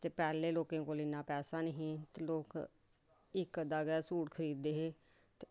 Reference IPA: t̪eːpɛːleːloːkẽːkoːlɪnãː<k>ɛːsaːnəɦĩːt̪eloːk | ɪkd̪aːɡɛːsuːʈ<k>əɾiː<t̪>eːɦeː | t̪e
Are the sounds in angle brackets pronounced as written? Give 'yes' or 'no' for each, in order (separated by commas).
no, no, no